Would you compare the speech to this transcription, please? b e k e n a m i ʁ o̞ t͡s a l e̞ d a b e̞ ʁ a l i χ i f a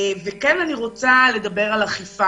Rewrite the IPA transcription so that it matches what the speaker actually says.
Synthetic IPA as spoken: v e k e n a n i ʁ o̞ t͡s a l e̞ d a b e̞ ʁ a l a χ i f a